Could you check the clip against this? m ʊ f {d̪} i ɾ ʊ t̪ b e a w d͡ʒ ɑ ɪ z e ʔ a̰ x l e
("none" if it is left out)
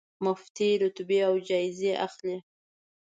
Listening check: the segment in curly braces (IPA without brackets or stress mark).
t̪